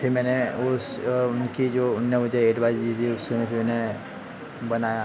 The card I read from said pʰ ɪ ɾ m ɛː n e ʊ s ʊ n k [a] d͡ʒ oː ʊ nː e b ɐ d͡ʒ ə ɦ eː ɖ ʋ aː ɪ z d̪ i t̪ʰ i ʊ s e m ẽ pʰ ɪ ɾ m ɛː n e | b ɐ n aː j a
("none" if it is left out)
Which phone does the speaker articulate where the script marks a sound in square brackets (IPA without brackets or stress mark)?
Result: i